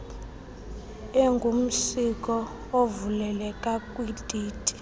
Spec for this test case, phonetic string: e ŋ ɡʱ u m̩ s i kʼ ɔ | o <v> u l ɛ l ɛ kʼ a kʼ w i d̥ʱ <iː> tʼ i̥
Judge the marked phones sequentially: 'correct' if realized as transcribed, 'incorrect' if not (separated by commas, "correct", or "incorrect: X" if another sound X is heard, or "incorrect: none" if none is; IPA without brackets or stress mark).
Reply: correct, correct